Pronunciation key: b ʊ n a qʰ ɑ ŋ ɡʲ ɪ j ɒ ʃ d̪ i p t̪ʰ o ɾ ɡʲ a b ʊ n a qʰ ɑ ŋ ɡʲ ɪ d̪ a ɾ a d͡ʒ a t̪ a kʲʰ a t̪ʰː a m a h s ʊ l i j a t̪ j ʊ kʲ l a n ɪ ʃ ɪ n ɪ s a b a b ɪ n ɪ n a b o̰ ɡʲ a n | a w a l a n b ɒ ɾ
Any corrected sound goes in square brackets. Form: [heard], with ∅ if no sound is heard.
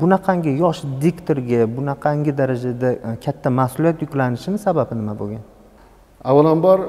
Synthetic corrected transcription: b ʊ n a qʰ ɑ ŋ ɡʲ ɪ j ɒ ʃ d̪ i [k] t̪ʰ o ɾ ɡʲ a b ʊ n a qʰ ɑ ŋ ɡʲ ɪ d̪ a ɾ a d͡ʒ a [d̪] a kʲʰ a t̪ʰː a m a h s ʊ l i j a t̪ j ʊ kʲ l a n ɪ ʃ ɪ n ɪ s a b a b ɪ n ɪ [m] a b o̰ ɡʲ a n | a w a l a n b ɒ ɾ